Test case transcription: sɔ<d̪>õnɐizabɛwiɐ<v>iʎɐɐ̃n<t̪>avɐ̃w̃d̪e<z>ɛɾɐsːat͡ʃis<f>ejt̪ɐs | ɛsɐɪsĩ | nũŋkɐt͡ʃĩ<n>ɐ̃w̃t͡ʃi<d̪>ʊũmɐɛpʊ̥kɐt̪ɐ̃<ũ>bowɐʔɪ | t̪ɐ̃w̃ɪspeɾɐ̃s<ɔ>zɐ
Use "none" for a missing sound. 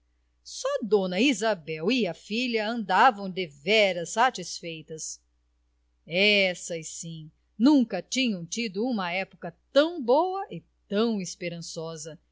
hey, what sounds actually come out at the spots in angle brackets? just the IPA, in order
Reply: d̪, f, d̪, v, f, ɲ, d̪, w̃, ɔ

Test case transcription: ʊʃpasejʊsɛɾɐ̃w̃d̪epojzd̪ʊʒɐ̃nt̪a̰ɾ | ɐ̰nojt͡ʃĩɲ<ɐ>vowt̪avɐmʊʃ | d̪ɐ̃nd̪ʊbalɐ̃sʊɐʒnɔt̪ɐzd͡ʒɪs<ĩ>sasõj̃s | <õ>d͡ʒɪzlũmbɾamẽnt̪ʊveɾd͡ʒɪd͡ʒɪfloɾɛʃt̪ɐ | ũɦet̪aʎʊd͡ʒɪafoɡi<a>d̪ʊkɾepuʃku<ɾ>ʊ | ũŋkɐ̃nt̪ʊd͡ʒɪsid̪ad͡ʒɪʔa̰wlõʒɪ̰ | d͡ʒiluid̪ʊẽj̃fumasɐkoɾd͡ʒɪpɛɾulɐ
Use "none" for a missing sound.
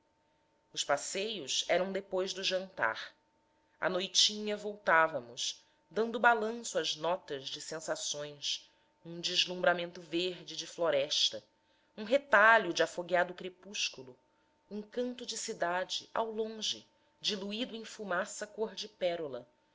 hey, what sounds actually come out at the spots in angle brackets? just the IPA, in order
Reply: ɐ, ẽ, ũ, a, l

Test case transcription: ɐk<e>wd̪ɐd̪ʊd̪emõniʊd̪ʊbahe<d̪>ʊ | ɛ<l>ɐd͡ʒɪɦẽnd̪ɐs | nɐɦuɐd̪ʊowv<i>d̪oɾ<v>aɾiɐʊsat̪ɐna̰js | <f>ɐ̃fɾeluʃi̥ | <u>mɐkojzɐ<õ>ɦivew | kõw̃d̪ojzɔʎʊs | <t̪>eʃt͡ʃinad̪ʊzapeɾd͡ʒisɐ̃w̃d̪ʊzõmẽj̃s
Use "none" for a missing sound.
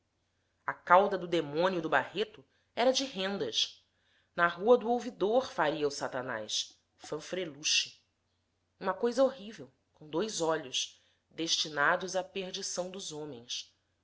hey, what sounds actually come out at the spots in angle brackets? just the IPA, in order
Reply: a, t̪, ɾ, i, f, f, ũ, o, d̪

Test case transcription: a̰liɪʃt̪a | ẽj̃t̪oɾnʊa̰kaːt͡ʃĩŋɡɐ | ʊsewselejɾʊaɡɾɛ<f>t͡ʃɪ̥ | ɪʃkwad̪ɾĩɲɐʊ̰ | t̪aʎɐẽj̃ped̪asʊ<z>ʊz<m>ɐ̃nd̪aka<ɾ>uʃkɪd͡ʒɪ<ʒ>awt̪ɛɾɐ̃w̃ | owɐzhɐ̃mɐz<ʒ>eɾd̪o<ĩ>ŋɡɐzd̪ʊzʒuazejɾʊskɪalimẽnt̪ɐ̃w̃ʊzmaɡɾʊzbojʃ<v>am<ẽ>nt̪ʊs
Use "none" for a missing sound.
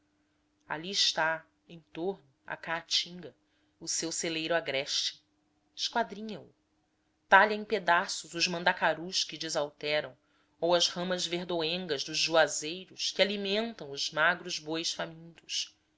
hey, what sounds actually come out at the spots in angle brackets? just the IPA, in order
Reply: ʃ, z, m, ɾ, z, v, ẽ, f, ĩ

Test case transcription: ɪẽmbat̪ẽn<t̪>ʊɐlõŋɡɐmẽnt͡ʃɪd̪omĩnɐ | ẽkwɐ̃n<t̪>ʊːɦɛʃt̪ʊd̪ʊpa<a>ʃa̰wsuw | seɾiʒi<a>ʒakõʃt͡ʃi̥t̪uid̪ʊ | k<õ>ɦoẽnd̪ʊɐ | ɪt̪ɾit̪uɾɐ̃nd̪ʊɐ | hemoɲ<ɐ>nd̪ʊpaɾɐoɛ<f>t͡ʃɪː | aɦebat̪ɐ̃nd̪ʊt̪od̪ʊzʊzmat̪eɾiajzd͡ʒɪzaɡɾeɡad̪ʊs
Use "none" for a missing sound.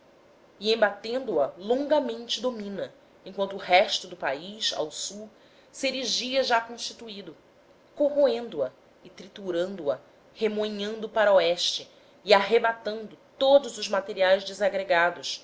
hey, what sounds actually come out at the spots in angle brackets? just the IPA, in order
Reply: d̪, t̪, i, ɐ, o, ɐ̃, ʃ

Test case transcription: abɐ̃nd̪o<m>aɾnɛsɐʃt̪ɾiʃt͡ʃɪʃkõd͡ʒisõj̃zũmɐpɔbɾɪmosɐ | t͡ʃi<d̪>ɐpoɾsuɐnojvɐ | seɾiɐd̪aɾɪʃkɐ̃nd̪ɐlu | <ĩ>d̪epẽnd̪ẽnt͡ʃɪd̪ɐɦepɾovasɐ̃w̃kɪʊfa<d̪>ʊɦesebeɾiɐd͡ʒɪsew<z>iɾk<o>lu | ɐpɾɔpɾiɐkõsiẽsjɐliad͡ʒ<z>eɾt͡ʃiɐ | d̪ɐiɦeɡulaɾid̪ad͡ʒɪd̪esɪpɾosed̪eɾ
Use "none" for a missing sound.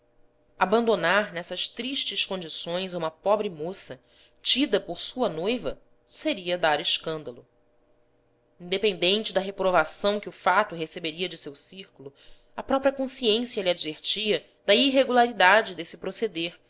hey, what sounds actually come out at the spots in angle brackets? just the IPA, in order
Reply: n, d̪, ĩ, t̪, s, u, v

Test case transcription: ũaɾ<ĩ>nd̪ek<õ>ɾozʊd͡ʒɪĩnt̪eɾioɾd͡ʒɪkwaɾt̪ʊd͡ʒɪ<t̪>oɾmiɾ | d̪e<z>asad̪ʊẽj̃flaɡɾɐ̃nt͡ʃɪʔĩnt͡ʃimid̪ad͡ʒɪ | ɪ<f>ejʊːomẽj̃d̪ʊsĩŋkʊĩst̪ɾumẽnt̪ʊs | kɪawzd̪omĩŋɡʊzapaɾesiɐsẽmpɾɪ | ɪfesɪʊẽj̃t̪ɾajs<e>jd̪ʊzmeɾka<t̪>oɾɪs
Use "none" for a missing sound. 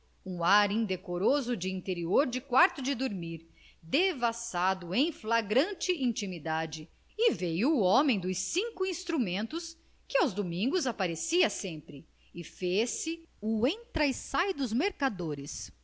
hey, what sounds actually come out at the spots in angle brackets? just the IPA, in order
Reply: ĩ, o, d̪, v, v, a, d̪

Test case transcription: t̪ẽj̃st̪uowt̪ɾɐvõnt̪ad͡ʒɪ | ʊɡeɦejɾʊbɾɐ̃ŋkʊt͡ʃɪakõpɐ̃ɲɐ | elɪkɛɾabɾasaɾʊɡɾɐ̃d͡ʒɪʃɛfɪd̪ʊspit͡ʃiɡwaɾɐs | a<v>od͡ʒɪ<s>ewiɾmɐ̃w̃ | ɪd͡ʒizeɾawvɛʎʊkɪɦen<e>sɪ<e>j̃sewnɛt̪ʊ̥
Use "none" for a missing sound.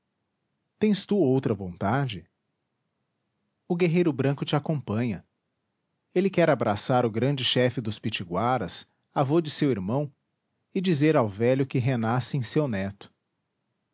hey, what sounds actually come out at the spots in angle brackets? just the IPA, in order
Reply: v, s, a, ẽ

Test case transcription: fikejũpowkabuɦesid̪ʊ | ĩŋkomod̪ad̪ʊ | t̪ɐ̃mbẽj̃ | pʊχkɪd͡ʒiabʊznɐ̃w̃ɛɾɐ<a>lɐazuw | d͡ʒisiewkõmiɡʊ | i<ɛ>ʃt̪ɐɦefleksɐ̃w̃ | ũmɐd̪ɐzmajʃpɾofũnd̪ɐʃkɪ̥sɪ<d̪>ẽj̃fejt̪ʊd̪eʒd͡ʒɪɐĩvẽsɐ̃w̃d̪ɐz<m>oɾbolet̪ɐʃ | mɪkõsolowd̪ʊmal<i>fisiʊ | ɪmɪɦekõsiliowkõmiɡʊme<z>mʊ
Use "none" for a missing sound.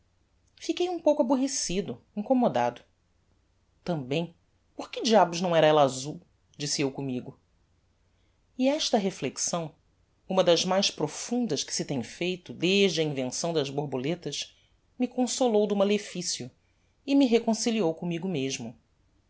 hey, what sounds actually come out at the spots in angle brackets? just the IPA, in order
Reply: ɛ, ɛ, t̪, b, e, ʒ

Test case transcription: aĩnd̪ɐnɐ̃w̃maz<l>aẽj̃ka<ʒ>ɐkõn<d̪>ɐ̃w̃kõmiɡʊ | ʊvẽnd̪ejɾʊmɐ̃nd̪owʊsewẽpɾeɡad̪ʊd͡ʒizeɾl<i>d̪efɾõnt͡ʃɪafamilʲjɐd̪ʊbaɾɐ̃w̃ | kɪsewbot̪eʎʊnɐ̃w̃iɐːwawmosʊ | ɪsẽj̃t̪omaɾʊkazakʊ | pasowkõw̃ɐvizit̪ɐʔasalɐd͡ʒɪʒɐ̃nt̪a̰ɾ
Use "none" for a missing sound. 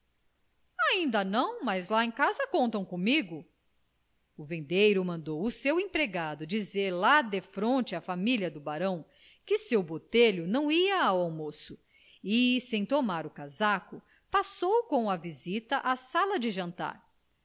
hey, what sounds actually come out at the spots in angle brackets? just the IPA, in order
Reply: l, z, t̪, a

